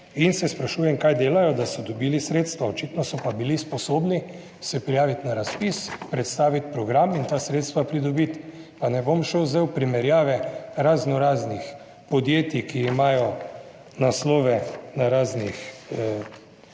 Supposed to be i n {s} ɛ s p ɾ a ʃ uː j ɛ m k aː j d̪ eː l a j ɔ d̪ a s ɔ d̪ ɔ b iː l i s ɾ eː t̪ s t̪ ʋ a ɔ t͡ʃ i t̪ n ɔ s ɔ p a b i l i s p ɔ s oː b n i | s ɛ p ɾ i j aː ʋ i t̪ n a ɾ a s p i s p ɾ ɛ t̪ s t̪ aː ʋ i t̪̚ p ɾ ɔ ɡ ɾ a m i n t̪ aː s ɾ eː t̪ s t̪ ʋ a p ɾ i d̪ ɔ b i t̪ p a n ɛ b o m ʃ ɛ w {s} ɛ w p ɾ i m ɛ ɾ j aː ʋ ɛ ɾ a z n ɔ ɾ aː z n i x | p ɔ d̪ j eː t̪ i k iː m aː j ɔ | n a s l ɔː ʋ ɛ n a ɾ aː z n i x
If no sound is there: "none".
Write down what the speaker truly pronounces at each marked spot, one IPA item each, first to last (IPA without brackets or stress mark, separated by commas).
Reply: s, z